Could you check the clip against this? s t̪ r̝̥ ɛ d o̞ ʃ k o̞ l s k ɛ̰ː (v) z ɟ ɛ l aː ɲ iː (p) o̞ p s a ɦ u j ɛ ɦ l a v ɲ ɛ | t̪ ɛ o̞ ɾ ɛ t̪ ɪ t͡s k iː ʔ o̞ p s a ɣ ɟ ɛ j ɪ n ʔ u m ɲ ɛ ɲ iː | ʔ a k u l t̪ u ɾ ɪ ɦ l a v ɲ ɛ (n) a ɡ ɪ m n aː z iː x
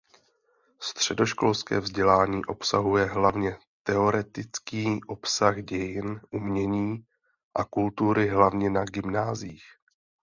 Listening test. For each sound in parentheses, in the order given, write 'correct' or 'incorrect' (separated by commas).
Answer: correct, incorrect, correct